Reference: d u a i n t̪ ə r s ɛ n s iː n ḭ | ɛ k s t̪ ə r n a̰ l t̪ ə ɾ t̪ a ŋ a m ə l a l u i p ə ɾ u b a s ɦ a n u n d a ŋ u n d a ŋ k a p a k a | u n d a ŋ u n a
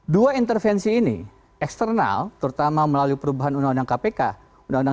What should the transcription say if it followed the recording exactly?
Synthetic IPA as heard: d u a i n t̪ ə r f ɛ n s iː n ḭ | ɛ k s t̪ ə r n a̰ l t̪ ə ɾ t̪ a m a m ə l a l u i p ə ɾ u b a ɦ a n u n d a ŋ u n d a ŋ k a p e k a | u n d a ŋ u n a